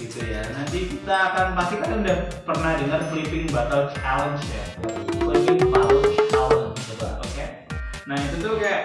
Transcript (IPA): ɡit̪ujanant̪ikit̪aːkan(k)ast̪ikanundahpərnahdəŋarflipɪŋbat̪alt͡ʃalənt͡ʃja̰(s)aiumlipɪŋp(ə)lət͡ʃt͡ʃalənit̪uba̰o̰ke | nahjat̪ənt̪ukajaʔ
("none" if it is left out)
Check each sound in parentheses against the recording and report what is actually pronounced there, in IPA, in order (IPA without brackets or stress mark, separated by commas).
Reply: p, none, a